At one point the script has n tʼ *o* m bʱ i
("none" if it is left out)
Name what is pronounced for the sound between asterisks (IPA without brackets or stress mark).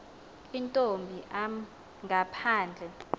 o